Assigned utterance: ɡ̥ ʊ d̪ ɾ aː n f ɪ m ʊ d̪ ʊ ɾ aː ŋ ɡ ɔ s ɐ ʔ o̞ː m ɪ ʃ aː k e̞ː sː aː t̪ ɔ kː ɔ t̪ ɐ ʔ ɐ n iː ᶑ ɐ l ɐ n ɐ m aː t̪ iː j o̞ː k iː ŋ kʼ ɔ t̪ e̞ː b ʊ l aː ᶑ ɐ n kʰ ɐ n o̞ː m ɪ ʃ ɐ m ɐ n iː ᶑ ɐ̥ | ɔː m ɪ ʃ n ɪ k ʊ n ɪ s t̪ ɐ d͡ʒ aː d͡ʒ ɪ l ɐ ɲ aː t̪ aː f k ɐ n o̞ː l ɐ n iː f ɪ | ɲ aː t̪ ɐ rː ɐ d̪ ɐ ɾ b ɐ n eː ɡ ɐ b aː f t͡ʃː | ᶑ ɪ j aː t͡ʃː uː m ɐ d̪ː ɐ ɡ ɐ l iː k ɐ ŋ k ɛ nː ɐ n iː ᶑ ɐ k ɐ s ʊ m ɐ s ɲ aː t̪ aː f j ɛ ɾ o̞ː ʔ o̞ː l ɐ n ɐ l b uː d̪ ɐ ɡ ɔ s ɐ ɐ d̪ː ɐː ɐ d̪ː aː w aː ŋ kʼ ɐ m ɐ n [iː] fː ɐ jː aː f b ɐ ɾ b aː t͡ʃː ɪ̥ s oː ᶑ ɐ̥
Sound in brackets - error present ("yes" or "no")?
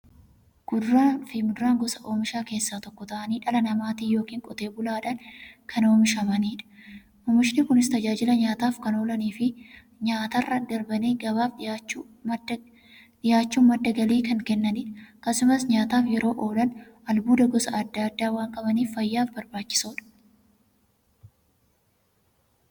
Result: no